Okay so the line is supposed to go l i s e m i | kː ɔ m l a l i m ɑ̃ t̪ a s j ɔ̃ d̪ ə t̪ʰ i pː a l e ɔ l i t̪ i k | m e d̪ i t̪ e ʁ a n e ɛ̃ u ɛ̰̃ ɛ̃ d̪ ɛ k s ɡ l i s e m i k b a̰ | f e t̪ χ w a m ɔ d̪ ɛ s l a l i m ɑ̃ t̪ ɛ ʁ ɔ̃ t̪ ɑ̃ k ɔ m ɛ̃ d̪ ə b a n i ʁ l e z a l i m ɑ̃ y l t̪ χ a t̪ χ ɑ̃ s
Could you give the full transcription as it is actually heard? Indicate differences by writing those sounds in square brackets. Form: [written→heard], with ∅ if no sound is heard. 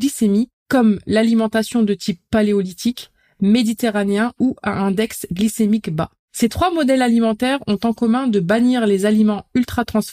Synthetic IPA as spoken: l i s e m i | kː ɔ m l a l i m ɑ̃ t̪ a s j ɔ̃ d̪ ə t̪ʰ i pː a l e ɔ l i t̪ i k | m e d̪ i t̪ e ʁ a n e ɛ̃ u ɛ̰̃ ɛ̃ d̪ ɛ k s ɡ l i s e m i k b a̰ | [f→s] e t̪ χ w a m ɔ d̪ ɛ [s→∅] l a l i m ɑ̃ t̪ ɛ ʁ ɔ̃ t̪ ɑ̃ k ɔ m ɛ̃ d̪ ə b a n i ʁ l e z a l i m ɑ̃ y l t̪ χ a t̪ χ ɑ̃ s